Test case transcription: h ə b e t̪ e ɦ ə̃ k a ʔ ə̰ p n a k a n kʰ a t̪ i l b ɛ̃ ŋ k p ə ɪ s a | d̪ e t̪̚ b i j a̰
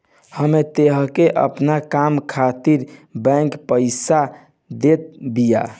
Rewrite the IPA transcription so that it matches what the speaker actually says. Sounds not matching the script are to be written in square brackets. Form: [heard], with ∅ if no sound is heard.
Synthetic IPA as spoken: h ə [m] e t̪ e ɦ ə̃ k [e] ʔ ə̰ p n a k a [m] kʰ a t̪ i [ɾ] b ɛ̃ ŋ k p ə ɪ s a | d̪ e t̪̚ b i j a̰